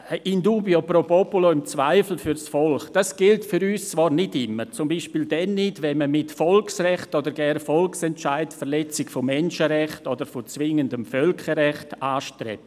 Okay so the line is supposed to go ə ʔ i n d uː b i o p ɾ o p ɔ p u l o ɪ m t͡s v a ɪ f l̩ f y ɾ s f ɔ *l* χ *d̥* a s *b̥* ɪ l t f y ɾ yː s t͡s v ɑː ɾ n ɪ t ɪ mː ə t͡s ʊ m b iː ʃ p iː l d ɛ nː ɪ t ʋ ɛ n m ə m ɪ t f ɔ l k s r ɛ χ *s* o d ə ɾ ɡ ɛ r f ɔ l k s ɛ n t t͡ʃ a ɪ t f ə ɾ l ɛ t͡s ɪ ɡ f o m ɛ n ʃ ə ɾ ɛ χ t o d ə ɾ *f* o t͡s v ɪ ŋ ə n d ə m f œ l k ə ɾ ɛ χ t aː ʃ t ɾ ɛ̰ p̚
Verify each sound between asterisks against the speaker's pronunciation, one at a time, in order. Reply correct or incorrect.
correct, correct, incorrect, incorrect, correct

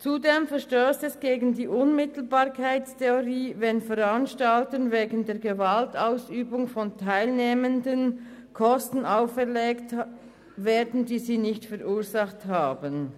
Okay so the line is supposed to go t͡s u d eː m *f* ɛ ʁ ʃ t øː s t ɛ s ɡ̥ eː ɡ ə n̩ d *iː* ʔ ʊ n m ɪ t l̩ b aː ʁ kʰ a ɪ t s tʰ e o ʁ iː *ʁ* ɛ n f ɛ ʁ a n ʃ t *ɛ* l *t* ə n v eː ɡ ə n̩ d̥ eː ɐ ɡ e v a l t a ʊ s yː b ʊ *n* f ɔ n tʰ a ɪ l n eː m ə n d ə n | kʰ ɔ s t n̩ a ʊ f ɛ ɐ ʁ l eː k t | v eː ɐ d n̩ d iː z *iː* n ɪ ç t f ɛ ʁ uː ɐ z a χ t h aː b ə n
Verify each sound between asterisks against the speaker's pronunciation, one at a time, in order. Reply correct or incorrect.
correct, correct, incorrect, incorrect, correct, incorrect, correct

